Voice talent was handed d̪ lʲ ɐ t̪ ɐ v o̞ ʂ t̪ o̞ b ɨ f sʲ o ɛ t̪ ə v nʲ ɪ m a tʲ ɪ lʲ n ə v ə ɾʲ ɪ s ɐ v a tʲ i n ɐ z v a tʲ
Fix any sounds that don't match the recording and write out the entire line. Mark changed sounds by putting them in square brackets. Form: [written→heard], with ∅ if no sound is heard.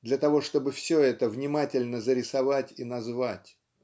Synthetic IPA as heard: d̪ lʲ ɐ t̪ ɐ v o̞ ʂ t̪ o̞ b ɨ f sʲ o ɛ t̪ ə v nʲ ɪ m a tʲ ɪ lʲ n ə [v→z] ə ɾʲ ɪ s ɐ v a tʲ i n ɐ z v a tʲ